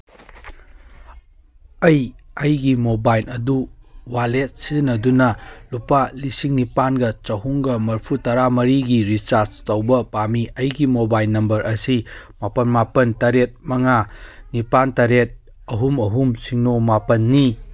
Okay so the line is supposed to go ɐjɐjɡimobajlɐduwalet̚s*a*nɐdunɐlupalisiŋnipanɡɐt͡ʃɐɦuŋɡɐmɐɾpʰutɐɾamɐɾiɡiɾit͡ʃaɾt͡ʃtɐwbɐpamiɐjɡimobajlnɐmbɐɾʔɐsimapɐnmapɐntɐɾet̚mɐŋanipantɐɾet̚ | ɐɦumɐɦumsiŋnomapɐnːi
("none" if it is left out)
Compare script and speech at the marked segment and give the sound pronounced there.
i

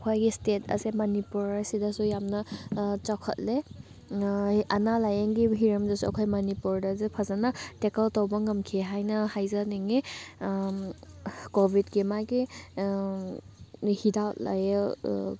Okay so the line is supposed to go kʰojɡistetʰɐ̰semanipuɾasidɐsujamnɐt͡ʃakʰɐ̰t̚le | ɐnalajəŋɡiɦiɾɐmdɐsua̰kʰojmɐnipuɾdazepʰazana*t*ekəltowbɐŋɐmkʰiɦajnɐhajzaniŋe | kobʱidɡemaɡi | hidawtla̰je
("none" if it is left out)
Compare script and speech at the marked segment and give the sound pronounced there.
t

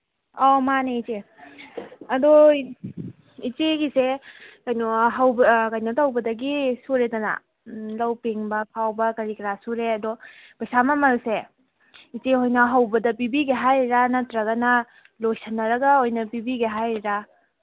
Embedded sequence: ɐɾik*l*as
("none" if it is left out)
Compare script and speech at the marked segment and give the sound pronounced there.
ɾ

